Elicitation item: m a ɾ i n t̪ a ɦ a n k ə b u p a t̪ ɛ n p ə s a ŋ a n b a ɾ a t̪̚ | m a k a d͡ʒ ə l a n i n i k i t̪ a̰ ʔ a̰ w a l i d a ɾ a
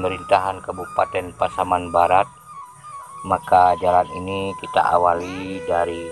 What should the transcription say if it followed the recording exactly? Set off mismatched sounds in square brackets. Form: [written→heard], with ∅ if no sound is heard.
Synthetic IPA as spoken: m [a→ə] ɾ i n t̪ a ɦ a n k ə b u p a t̪ ɛ n p [ə→a] s a [ŋ→m] a n b a ɾ a t̪̚ | m a k a d͡ʒ [ə→a] l a n i n i k i t̪ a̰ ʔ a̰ w a l i d a ɾ [a→i]